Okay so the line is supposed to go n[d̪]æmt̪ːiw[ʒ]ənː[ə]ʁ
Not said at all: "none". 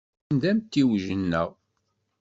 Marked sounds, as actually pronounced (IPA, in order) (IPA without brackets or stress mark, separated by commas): d̪, ʒ, ə